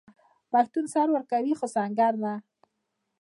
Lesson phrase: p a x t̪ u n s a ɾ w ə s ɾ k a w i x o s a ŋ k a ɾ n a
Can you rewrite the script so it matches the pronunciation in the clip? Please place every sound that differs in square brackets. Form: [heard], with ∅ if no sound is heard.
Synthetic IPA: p a x t̪ u n s a ɾ w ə [∅] ɾ k a w i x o s a ŋ [ɡ] a ɾ n a